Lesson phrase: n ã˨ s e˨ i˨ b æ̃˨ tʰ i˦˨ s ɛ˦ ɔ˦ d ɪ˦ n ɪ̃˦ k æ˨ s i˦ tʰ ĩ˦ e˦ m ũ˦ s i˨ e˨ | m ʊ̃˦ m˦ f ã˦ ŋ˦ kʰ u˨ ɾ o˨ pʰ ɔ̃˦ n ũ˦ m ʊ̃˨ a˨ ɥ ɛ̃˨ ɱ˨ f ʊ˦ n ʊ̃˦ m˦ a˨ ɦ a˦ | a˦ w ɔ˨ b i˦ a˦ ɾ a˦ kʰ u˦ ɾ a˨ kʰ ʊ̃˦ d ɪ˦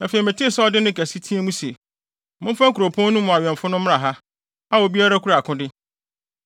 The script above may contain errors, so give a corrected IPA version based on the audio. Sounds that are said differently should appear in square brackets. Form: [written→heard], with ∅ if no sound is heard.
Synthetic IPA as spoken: n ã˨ [s→f] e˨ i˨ [b→m] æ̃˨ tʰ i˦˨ s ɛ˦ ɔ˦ d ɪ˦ n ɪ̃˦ k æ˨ s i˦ tʰ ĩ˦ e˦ m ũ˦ s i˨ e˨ | m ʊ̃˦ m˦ f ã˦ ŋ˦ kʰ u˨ ɾ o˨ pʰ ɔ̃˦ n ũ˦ m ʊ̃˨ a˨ ɥ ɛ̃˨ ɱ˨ f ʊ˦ n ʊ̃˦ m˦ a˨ ɦ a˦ | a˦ w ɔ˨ b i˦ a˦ ɾ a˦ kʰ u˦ ɾ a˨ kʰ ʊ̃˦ d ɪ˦